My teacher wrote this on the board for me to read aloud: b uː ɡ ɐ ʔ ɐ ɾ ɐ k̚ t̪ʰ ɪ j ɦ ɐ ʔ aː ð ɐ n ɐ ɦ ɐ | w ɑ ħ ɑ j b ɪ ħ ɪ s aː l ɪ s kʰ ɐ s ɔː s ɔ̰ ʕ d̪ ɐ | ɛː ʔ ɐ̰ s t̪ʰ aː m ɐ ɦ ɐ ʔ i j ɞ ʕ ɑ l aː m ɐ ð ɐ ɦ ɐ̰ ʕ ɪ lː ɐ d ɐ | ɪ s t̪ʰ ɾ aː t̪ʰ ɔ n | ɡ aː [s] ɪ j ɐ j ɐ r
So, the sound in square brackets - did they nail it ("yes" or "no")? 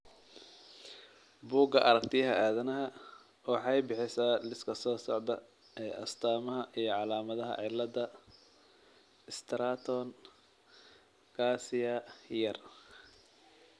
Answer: yes